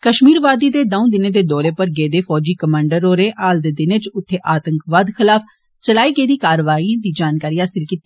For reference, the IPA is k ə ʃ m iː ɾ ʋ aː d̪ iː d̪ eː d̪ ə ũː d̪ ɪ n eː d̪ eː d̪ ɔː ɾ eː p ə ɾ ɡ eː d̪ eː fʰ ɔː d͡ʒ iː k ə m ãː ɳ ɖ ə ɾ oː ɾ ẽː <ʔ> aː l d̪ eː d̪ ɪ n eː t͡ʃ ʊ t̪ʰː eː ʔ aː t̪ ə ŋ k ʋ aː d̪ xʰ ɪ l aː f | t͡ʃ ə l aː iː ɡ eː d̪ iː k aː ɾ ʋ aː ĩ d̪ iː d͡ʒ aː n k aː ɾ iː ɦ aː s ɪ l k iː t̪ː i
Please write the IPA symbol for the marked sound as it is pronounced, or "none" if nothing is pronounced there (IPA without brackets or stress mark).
ʔ